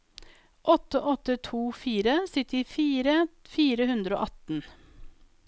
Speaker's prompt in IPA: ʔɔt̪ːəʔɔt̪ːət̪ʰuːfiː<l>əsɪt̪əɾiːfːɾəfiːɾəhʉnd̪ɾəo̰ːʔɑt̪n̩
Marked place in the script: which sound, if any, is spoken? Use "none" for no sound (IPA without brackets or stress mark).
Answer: ɾ